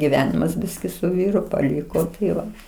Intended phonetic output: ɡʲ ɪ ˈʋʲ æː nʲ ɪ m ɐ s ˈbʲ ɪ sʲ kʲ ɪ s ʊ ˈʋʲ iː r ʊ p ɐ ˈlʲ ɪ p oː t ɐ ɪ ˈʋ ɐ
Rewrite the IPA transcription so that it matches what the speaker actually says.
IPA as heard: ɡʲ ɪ ˈʋʲ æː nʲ ɪ m ɐ s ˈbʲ ɪ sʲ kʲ ɪ s ʊ ˈʋʲ iː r ʊ p ɐ ˈlʲ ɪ k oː t ɐ ɪ ˈʋ ɐ